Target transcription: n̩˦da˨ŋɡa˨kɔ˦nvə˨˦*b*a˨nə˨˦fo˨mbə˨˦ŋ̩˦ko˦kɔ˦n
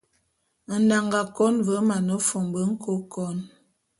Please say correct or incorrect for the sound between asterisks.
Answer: incorrect